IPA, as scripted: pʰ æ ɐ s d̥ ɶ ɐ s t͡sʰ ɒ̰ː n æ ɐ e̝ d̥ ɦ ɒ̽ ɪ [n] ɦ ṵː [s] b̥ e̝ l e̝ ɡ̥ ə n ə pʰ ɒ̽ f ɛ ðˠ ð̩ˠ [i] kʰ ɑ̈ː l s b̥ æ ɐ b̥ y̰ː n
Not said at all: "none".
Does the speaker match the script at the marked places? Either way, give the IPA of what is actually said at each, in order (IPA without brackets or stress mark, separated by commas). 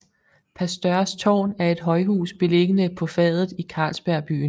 none, s, i